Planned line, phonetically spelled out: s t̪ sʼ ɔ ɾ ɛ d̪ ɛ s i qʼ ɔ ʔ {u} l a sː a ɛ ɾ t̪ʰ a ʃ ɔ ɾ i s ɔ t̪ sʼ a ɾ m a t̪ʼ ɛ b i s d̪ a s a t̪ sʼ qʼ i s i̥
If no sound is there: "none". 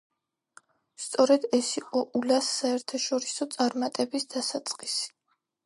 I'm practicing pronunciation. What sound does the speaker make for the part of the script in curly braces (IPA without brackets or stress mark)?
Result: u